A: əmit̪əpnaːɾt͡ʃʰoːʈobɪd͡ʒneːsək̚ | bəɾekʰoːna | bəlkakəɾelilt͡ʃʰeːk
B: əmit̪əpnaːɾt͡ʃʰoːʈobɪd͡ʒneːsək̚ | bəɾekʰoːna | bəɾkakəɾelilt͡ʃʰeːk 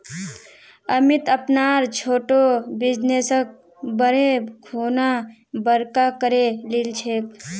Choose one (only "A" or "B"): B